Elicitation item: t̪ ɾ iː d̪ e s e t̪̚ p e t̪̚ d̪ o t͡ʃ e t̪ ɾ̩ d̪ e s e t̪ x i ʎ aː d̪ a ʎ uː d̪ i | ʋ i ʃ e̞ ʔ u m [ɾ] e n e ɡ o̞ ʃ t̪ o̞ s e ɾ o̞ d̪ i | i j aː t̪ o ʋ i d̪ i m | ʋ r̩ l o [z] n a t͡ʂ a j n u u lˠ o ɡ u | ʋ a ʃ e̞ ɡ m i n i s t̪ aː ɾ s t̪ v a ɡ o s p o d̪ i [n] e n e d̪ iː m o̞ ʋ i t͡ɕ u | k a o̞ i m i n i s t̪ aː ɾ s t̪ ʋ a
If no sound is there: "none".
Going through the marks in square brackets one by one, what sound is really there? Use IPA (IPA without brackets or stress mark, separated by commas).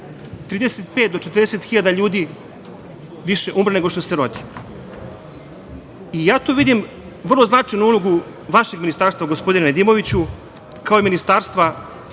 ɾ, z, n